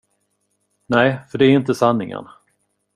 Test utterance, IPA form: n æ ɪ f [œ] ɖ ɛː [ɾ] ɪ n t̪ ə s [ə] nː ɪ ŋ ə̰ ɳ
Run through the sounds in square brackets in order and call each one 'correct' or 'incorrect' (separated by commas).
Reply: correct, correct, incorrect